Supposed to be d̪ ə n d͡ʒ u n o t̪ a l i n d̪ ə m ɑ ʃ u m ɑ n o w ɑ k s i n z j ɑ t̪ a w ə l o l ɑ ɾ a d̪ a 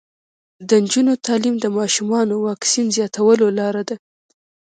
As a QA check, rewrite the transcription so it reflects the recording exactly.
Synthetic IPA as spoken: d̪ ə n d͡ʒ u n o t̪ ɑ l i m d̪ ə m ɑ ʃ u m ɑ n o w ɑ k s i n z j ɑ t̪ a w ə l o l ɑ ɾ a d̪ a